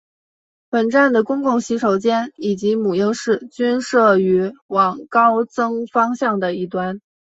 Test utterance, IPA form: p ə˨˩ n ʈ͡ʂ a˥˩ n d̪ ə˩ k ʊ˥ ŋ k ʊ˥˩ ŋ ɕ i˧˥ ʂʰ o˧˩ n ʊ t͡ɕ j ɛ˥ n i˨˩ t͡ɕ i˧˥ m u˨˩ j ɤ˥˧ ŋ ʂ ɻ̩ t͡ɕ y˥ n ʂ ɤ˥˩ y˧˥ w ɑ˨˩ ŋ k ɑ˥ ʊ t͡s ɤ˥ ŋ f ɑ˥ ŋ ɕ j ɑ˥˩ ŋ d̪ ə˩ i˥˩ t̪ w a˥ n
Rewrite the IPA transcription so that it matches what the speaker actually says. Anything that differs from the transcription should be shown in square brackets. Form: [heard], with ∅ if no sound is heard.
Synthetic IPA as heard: p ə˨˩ n ʈ͡ʂ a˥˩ n d̪ ə˩ k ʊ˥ ŋ k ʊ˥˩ ŋ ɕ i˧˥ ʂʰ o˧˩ [∅] ʊ t͡ɕ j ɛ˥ n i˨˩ t͡ɕ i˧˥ m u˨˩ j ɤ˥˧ ŋ ʂ ɻ̩ t͡ɕ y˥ n ʂ ɤ˥˩ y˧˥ w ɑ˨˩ ŋ k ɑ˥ ʊ t͡s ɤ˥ ŋ f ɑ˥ ŋ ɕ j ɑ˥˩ ŋ d̪ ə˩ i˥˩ t̪ w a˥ n

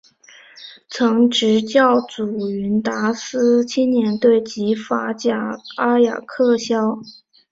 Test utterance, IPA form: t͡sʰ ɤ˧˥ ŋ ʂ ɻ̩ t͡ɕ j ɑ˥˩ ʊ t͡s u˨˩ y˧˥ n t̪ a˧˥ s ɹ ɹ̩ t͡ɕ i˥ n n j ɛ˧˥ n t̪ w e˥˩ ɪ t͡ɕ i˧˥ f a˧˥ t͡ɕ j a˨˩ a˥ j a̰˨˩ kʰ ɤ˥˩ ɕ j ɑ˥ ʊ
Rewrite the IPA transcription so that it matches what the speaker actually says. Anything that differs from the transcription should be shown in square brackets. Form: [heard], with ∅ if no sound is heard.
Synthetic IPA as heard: t͡sʰ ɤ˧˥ ŋ [ʈ͡ʂ] ɻ̩ t͡ɕ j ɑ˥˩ ʊ t͡s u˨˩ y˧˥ n t̪ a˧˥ s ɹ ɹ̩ [t͡ɕʰ] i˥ n n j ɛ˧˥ n t̪ w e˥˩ ɪ t͡ɕ i˧˥ f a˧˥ t͡ɕ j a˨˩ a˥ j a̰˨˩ kʰ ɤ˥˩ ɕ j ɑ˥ ʊ

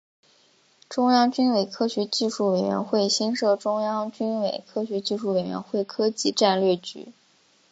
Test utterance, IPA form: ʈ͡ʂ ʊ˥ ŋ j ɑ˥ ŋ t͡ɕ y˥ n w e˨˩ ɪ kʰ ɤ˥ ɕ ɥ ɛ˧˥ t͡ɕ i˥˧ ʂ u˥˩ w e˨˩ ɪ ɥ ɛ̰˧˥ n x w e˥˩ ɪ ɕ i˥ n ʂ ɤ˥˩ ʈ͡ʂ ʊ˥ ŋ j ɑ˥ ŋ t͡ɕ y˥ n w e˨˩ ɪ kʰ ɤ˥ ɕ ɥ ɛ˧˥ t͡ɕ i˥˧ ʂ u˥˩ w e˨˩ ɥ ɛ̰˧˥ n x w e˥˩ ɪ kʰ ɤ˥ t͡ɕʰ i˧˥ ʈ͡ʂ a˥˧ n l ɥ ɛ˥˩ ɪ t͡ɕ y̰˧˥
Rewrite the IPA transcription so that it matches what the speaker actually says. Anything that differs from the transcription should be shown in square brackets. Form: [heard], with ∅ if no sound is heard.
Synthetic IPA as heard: ʈ͡ʂ ʊ˥ ŋ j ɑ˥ ŋ t͡ɕ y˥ n w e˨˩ ɪ kʰ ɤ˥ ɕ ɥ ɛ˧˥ t͡ɕ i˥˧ ʂ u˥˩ w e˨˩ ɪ ɥ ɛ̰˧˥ n x w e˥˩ ɪ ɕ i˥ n ʂ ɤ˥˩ ʈ͡ʂ ʊ˥ ŋ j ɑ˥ ŋ t͡ɕ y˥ n w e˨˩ ɪ kʰ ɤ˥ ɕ ɥ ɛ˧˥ t͡ɕ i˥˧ ʂ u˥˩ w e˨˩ ɥ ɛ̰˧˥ n x w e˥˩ ɪ kʰ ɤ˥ [t͡ɕ] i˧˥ ʈ͡ʂ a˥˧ n l ɥ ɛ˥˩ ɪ t͡ɕ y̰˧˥

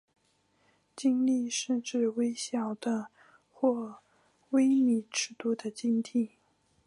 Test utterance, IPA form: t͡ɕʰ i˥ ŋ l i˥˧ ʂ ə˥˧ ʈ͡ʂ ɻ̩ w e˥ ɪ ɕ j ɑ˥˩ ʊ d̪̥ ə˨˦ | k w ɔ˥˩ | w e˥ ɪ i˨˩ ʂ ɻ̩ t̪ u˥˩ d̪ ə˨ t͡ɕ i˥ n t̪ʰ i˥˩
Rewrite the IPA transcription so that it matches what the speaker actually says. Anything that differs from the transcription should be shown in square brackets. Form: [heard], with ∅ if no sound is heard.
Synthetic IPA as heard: [t͡ɕ] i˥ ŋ l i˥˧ ʂ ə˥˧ ʈ͡ʂ ɻ̩ w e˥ ɪ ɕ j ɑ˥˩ ʊ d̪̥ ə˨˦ | [x] w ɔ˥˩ | w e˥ ɪ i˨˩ [ʈ͡ʂ] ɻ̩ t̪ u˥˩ d̪ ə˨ t͡ɕ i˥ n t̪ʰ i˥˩

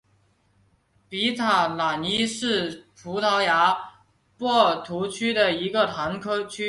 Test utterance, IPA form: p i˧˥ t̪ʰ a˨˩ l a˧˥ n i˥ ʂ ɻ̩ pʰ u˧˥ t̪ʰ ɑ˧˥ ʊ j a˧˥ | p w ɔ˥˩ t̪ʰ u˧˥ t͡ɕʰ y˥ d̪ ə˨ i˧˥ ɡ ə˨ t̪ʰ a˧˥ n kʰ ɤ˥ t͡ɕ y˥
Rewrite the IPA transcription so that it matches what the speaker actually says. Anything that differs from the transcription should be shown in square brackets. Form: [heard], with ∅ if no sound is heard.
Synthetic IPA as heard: p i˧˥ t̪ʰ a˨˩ l [a˨˩] n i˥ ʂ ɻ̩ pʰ u˧˥ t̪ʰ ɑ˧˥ ʊ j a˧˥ | p w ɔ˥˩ t̪ʰ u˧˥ t͡ɕʰ y˥ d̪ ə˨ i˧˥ ɡ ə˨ t̪ʰ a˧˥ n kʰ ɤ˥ [t͡ɕʰ] y˥

